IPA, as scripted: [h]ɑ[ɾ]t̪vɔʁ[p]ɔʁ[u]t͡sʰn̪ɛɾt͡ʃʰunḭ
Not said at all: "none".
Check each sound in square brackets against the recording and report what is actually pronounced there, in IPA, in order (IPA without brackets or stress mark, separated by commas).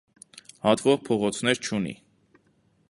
h, none, pʰ, ɔ